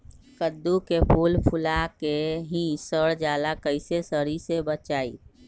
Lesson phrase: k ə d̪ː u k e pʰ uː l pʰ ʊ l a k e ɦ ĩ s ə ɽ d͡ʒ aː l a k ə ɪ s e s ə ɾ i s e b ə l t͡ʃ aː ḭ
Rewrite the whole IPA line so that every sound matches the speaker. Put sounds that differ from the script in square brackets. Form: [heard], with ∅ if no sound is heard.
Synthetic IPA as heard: k ə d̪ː u k e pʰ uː l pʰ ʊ l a k e ɦ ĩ s ə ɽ d͡ʒ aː l a k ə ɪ s e s ə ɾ i s e b ə [∅] t͡ʃ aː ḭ